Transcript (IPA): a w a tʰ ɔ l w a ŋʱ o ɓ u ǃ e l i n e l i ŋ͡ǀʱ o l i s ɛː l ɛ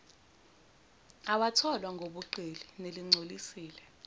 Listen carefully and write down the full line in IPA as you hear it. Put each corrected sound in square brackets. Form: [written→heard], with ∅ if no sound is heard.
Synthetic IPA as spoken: a w a tʰ ɔ l w a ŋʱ o ɓ u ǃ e l i n e l i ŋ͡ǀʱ o l i s [ɛː→iː] l ɛ